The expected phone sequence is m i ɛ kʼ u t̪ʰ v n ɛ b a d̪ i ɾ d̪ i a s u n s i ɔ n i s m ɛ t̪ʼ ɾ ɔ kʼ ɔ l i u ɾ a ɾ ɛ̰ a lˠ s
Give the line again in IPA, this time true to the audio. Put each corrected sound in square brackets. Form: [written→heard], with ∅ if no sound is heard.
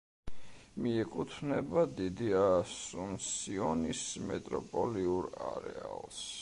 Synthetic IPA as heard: m i ɛ kʼ u t̪ʰ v n ɛ b a d̪ i [ɾ→∅] d̪ i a s u n s i ɔ n i s m ɛ t̪ʼ ɾ ɔ [kʼ→pʼ] ɔ l i u ɾ a ɾ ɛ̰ a lˠ s

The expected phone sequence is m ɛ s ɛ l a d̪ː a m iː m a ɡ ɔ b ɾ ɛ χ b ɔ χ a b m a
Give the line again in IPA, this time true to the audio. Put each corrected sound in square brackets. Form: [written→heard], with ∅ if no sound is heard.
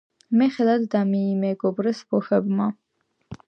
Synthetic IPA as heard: m ɛ [s→χ] ɛ l a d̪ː a m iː m [a→ɛ] ɡ ɔ b ɾ ɛ [χ→s] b ɔ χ [a→ɛ] b m a

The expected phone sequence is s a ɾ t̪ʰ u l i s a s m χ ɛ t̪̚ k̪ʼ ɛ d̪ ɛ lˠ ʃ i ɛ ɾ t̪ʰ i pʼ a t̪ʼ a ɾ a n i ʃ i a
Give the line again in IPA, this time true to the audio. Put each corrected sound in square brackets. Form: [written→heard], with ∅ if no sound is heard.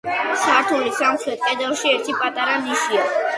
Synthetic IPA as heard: s a ɾ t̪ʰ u l i s a [s→∅] m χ ɛ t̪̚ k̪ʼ ɛ d̪ ɛ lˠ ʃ i ɛ ɾ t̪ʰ i pʼ a t̪ʼ a ɾ a n i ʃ i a

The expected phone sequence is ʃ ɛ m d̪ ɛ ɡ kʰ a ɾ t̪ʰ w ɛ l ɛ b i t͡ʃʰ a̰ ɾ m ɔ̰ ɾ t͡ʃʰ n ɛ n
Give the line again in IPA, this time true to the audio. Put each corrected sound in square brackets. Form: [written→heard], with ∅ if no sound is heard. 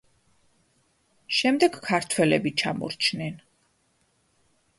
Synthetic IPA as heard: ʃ ɛ m d̪ ɛ ɡ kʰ a ɾ t̪ʰ w ɛ l ɛ b i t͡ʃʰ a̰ [ɾ→∅] m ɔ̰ ɾ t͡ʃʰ n ɛ n

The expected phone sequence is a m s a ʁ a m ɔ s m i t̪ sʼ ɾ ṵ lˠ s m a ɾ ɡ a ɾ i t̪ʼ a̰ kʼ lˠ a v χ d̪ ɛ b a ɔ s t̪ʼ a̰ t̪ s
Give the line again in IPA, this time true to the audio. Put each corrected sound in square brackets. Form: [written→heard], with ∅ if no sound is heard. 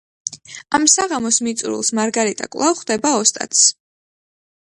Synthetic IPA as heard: a m s a ʁ a m ɔ s m i t̪ sʼ ɾ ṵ lˠ s m a ɾ ɡ a ɾ i t̪ʼ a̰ kʼ lˠ a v χ d̪ ɛ b a ɔ s t̪ʼ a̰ t̪ s

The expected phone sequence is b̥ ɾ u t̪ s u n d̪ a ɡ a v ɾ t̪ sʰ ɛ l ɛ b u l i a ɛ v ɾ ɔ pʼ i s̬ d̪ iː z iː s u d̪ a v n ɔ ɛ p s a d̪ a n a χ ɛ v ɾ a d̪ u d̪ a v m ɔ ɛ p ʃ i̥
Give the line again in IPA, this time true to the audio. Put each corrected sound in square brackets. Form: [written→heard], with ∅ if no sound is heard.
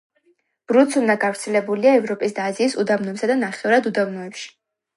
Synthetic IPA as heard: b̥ ɾ u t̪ s u n d̪ a ɡ a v ɾ t̪ sʰ ɛ l ɛ b u l i a ɛ v ɾ ɔ pʼ i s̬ d̪ [iː→aː] z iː s u d̪ a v n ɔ ɛ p s a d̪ a n a χ ɛ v ɾ a d̪ u d̪ a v [m→n] ɔ ɛ p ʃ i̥

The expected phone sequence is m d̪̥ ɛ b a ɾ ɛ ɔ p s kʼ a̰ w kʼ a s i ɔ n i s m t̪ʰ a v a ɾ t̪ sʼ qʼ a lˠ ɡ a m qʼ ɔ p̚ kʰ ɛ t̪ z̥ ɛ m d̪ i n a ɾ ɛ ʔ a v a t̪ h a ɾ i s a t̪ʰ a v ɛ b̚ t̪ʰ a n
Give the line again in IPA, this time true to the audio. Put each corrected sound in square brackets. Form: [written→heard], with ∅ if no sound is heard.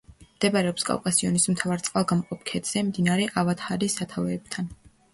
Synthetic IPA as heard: m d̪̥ ɛ b a ɾ ɛ ɔ p s kʼ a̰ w kʼ a s i ɔ n i s m t̪ʰ a v a ɾ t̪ sʼ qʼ a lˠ ɡ a m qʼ ɔ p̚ kʰ ɛ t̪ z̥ ɛ m d̪ i n a ɾ ɛ ʔ a v a t̪ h a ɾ i s a t̪ʰ a v [ɛ→ɛː] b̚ t̪ʰ a n

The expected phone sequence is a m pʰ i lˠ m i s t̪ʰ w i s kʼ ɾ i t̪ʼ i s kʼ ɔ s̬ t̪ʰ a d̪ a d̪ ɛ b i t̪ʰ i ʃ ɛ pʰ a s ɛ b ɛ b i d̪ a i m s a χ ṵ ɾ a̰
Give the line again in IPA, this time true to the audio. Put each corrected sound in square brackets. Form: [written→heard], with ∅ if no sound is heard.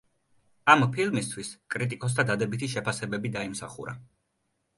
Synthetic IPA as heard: a m pʰ i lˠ m i s t̪ʰ w i s kʼ ɾ i t̪ʼ i [s→∅] kʼ ɔ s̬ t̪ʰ a d̪ a d̪ ɛ b i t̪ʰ i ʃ ɛ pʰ a s ɛ b ɛ b i d̪ a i m s a χ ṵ ɾ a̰

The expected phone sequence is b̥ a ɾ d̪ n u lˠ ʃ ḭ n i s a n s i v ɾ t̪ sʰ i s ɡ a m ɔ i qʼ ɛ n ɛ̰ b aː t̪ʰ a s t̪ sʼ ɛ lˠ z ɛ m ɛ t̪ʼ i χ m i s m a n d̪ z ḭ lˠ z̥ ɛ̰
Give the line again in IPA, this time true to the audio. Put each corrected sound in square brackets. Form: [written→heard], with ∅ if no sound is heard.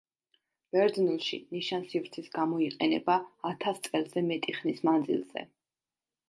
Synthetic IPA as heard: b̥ [a→ɛ] ɾ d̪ n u lˠ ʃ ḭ n i [s→ʃ] a n s i v ɾ t̪ sʰ i s ɡ a m ɔ i qʼ ɛ n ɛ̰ b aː t̪ʰ a s t̪ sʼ ɛ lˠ z ɛ m ɛ t̪ʼ i χ [m→n] i s m a n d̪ z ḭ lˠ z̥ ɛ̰

